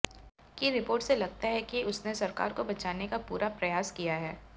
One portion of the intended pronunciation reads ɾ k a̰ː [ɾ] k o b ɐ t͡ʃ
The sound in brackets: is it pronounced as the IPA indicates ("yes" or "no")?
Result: yes